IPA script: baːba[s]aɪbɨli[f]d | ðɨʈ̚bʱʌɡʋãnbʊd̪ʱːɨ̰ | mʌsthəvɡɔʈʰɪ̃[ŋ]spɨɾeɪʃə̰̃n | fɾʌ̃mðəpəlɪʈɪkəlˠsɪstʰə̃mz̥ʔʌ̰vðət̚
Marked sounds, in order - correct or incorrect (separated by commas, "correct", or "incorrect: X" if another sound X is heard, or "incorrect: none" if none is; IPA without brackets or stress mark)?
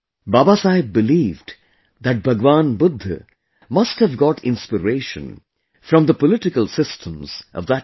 correct, incorrect: v, incorrect: n